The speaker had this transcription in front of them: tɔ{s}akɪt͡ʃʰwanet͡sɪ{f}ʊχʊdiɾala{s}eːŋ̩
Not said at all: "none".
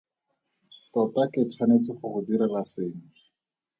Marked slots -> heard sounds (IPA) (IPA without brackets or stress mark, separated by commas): t, χ, s